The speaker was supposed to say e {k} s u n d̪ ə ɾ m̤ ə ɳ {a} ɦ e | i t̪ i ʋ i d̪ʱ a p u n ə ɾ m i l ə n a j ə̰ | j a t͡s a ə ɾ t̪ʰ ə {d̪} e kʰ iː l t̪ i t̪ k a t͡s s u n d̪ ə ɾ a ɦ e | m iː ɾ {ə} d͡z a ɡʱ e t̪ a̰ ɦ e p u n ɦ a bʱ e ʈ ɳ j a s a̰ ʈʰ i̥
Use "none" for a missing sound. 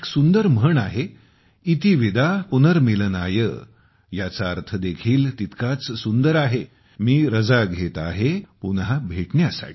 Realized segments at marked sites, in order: k, a, d̪, ə

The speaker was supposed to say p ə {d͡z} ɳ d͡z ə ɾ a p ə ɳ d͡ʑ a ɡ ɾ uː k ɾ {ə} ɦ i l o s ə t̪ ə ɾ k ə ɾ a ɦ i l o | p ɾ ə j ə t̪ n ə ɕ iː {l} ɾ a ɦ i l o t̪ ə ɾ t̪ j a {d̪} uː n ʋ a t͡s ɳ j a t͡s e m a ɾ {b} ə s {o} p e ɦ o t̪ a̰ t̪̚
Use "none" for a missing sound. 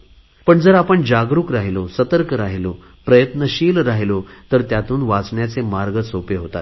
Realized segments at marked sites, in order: none, a, l, t̪, ɡ, o

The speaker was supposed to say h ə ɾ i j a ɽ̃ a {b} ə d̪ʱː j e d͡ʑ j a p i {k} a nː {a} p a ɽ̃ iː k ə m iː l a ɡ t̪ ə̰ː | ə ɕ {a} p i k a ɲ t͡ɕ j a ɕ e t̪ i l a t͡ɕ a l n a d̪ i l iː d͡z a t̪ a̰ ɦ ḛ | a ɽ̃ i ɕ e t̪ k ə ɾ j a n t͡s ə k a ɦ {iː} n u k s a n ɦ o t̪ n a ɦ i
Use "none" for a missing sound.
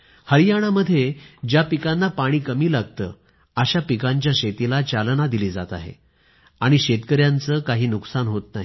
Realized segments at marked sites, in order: m, k, a, a, iː

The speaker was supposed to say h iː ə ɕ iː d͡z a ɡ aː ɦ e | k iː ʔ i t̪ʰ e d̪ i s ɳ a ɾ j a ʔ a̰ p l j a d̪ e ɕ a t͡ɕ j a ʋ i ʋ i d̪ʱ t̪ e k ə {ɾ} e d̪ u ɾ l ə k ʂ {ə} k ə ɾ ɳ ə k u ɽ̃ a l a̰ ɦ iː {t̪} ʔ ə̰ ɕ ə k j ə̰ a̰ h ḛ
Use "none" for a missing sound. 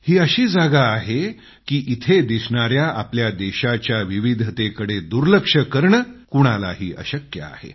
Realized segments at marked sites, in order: ɽ, ə, none

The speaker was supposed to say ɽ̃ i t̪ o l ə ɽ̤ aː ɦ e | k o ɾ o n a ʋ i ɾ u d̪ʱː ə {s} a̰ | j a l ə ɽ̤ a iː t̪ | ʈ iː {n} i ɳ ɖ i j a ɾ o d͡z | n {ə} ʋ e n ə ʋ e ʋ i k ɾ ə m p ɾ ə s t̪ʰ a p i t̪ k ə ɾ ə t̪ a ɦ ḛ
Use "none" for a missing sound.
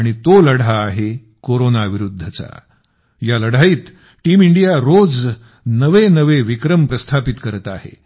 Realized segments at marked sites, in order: t͡s, m, ə

